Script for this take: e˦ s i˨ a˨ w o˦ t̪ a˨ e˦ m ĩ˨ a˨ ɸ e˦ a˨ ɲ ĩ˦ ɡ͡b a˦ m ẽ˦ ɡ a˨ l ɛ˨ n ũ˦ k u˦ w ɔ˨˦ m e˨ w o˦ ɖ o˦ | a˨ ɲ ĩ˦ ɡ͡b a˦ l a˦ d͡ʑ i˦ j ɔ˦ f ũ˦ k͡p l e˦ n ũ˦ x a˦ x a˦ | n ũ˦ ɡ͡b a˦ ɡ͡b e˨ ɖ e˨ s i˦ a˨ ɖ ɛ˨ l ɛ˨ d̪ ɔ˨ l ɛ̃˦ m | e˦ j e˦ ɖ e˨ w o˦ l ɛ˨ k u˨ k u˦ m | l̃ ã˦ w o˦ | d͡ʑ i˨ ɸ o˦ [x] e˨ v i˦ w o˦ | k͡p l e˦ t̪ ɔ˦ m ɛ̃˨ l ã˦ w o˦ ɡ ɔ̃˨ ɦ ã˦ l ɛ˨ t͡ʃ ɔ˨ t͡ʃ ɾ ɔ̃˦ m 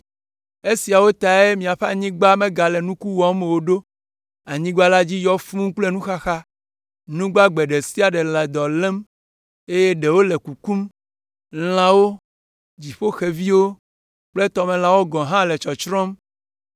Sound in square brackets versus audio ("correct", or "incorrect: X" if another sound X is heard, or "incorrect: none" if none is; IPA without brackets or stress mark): correct